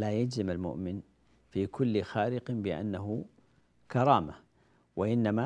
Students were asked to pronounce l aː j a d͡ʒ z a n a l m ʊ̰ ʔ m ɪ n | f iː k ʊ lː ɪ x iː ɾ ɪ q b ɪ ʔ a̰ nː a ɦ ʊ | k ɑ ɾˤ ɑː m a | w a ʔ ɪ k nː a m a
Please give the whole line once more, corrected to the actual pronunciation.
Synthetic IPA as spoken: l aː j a d͡ʒ z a m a l m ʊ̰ ʔ m ɪ n | f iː k ʊ lː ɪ x aː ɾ ɪ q b ɪ ʔ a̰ nː a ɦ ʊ | k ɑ ɾˤ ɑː m a | w a ʔ ɪ nː a m a